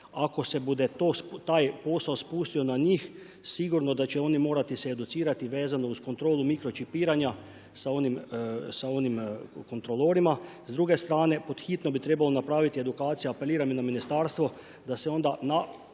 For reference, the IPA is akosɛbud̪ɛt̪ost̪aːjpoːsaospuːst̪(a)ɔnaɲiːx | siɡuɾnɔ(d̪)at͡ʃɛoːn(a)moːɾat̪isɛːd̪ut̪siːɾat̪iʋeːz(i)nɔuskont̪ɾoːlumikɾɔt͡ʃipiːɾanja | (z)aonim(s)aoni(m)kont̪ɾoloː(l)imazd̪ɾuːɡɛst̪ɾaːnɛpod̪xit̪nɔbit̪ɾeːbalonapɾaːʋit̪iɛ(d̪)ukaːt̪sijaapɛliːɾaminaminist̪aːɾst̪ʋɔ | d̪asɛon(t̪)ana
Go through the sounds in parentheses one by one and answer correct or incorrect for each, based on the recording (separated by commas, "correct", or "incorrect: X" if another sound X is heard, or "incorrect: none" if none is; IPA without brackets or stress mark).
incorrect: i, correct, incorrect: i, incorrect: a, incorrect: s, correct, correct, incorrect: ɾ, correct, incorrect: d̪